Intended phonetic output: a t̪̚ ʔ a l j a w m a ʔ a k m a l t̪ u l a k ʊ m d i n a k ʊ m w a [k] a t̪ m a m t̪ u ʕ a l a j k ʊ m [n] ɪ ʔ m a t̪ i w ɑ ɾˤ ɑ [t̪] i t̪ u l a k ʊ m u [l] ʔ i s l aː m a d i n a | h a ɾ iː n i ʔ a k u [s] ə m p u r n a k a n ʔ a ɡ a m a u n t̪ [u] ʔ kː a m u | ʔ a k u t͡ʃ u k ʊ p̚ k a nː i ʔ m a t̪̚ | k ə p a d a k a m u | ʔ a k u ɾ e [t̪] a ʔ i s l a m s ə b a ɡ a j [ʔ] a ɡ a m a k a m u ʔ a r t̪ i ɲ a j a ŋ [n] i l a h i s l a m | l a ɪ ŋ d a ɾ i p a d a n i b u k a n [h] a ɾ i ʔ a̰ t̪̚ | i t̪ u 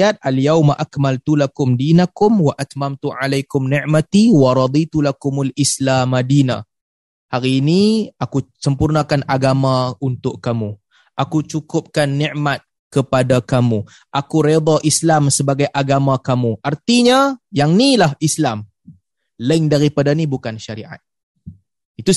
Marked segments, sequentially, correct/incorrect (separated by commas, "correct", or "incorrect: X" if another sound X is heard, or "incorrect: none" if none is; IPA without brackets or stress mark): incorrect: ʔ, correct, incorrect: d̪, correct, correct, incorrect: ʊ, incorrect: d̪, correct, correct, incorrect: ʃ